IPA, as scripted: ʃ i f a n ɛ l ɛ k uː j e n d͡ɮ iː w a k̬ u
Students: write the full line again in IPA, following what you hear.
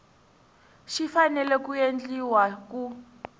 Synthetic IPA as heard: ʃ i f a n ɛ l ɛ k u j e n d͡ɮ i w a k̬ u